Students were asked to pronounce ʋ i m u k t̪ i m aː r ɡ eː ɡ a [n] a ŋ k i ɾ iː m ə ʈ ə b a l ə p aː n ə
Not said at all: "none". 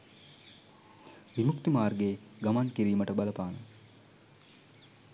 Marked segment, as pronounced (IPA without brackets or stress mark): m